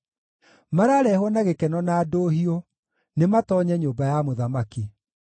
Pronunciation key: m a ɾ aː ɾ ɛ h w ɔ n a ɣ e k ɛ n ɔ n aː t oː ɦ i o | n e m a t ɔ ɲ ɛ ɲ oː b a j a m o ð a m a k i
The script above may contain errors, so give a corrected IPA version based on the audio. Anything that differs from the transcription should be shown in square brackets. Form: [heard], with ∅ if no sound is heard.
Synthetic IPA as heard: m a ɾ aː ɾ ɛ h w ɔ n a ɣ e k ɛ n ɔ n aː [d] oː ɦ i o | n e m a t ɔ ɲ ɛ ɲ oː b a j a m o ð a m a k i

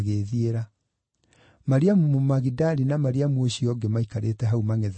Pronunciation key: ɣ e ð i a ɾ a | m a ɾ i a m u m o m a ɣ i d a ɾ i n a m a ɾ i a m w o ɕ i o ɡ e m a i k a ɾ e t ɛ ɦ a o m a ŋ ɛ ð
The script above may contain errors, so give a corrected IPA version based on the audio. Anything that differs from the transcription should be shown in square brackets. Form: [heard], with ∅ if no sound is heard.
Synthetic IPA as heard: ɣ e ð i [e] ɾ a | m a ɾ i a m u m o m a ɣ i d a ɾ i n a m a ɾ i a m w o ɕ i [ɔ] ɡ e m a i k a ɾ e t ɛ ɦ a [u] m a ŋ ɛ ð

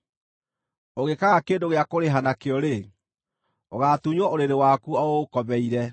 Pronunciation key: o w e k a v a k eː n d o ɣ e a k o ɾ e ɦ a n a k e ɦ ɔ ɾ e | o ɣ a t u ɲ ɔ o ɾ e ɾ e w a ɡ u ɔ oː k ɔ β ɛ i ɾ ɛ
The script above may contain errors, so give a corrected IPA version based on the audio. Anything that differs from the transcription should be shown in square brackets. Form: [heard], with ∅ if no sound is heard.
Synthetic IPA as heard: o [ɣ] e k a [ɣ] a k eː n d o ɣ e a k o ɾ e ɦ a n a k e [∅] ɔ ɾ e | o ɣ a t u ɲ ɔ o ɾ e ɾ e w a [k] u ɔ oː k ɔ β ɛ i ɾ ɛ

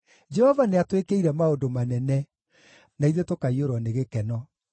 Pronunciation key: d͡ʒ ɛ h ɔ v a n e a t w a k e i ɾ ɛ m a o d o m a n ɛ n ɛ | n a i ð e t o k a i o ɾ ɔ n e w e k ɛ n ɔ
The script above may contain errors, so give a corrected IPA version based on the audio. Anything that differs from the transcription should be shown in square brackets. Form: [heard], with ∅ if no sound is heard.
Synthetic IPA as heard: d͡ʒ ɛ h ɔ v a n e a t w [e] k e i ɾ ɛ m a o d o m a n ɛ n ɛ | n a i ð e t o k a i o ɾ ɔ n e [ɣ] e k ɛ n ɔ

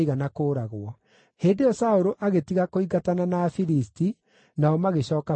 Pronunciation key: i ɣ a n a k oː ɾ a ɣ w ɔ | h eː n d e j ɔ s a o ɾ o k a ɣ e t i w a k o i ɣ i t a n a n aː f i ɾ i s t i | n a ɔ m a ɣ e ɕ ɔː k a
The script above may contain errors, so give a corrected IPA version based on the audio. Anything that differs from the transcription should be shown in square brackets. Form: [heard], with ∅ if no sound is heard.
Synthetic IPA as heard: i ɣ a n a k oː ɾ a ɣ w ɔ | h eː n d e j ɔ s a o ɾ o [ʔ] a ɣ e t i [ɣ] a k o i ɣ [a] t a n a n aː f i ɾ i s t i | n a ɔ m a ɣ e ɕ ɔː k a

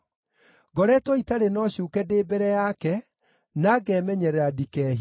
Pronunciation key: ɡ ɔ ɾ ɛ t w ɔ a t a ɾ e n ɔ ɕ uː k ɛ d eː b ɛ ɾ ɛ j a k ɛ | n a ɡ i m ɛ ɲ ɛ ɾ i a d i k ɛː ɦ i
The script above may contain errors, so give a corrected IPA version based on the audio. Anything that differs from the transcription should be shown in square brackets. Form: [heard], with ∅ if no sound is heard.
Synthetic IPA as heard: ɡ ɔ ɾ ɛ t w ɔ [i] t a ɾ e n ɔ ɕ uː k ɛ d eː b ɛ ɾ ɛ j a k ɛ | n a ɡ [ɛ] m ɛ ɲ ɛ ɾ [ɛ] a d i k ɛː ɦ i

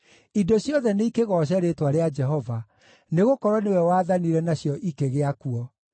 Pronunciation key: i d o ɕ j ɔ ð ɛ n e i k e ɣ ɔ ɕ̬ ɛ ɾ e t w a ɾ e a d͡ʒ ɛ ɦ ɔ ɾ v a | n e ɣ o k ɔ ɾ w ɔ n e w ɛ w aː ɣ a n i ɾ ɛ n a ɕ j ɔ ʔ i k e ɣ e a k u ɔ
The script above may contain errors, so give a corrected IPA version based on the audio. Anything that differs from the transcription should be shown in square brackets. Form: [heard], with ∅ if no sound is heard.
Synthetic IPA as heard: i d o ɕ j ɔ ð ɛ n e i k e ɣ ɔ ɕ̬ ɛ ɾ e t w a ɾ e a d͡ʒ ɛ ɦ ɔ [∅] v a | n e ɣ o k ɔ ɾ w ɔ n e w ɛ w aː [ð] a n i ɾ ɛ n a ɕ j ɔ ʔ i k e ɣ e a k u ɔ

